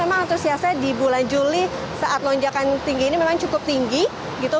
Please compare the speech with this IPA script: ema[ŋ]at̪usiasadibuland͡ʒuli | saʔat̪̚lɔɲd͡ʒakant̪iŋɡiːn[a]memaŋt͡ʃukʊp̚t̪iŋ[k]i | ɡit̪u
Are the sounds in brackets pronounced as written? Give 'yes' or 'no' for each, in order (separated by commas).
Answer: yes, no, no